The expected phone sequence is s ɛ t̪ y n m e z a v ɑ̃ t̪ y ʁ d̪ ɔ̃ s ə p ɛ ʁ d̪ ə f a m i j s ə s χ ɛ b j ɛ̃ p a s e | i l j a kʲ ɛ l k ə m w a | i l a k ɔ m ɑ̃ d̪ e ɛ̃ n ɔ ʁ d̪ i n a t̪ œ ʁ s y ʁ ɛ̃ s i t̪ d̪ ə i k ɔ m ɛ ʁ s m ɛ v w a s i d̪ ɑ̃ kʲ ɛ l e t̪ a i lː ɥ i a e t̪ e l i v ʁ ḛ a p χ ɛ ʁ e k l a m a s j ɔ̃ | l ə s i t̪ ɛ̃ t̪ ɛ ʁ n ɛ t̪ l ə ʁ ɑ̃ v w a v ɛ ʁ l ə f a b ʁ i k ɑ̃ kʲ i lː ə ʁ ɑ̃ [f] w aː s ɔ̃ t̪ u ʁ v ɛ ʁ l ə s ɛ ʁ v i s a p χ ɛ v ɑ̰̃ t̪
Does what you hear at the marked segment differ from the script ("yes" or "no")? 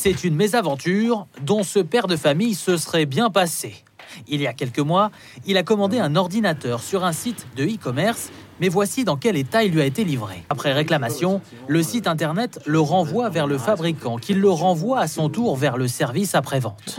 yes